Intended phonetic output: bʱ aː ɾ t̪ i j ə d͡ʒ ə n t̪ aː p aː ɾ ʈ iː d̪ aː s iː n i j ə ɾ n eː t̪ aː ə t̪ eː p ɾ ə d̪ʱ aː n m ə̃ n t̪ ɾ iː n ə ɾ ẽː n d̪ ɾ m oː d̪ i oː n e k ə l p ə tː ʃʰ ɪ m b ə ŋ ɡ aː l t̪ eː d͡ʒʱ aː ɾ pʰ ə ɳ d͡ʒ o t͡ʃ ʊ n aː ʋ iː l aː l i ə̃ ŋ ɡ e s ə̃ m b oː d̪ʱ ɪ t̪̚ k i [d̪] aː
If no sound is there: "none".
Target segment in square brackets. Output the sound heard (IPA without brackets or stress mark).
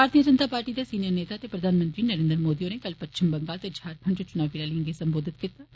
t̪